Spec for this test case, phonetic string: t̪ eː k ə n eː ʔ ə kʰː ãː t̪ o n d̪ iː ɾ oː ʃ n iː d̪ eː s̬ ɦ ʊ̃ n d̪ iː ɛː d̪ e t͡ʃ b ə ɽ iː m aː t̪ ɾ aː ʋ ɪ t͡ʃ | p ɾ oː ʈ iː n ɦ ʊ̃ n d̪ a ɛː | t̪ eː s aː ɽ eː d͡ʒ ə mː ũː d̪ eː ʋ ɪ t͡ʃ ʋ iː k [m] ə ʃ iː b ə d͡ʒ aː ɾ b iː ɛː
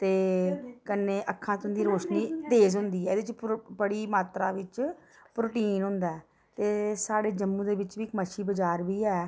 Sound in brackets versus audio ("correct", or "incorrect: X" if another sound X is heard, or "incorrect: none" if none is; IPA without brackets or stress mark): correct